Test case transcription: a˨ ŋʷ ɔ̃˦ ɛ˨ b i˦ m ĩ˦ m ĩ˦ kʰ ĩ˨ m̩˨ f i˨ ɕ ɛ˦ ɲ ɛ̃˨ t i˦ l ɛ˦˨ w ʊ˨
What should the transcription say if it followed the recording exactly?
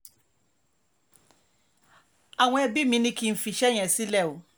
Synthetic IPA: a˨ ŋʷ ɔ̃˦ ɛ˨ b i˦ m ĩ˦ n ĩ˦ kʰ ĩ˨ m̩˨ f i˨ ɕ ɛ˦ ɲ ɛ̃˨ s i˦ l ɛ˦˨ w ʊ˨